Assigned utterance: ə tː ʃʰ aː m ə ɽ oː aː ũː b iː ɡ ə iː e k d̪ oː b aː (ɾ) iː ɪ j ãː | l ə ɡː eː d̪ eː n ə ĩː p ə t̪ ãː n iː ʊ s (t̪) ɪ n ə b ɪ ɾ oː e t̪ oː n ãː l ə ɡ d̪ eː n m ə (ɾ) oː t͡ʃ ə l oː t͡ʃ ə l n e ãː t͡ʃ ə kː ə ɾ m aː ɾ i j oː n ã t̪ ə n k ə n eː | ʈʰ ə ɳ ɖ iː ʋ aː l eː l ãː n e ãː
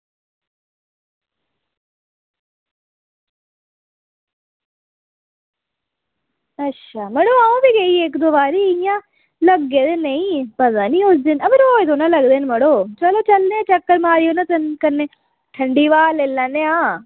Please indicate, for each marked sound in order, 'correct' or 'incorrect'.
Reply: correct, incorrect: d̪, incorrect: ɽ

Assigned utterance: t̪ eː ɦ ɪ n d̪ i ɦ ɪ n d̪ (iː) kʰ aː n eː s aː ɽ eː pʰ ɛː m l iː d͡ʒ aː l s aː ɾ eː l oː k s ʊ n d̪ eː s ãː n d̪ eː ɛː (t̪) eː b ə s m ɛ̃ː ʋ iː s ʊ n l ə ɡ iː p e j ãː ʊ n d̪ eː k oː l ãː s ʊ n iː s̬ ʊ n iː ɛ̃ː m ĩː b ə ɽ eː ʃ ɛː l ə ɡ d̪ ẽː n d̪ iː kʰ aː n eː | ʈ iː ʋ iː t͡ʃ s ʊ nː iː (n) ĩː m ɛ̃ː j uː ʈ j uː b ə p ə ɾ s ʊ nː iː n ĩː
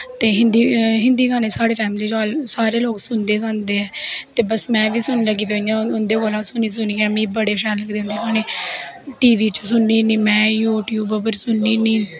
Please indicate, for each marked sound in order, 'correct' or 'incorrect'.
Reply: correct, correct, correct

